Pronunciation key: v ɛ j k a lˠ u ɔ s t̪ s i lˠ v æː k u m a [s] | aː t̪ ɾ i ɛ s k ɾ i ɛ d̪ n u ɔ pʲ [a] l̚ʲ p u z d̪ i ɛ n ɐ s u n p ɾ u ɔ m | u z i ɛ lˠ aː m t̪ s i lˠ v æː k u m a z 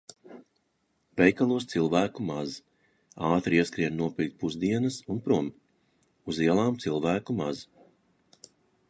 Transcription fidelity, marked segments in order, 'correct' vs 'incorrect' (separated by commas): incorrect, incorrect